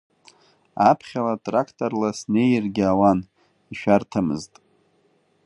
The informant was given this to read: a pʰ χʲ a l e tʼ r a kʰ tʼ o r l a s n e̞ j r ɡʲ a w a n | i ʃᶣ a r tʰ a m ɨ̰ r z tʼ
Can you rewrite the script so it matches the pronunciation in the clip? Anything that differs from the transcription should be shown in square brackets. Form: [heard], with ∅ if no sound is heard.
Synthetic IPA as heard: a pʰ χʲ a l [a] tʼ r a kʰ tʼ o r l a s n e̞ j r ɡʲ a w a n | i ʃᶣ a r tʰ a m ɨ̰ [∅] z tʼ